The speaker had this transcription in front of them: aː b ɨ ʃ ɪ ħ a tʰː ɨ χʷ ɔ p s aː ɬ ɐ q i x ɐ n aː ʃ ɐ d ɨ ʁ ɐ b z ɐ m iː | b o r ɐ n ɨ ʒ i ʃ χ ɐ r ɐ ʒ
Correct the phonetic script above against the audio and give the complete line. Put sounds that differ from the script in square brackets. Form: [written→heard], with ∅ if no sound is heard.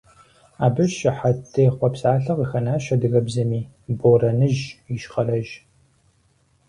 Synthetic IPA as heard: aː b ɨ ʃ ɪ ħ a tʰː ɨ χʷ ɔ p s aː ɬ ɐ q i x ɐ n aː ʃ ɐ d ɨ [ʁ→ɣ] ɐ b z ɐ m iː | b o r ɐ n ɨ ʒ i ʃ χ ɐ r ɐ ʒ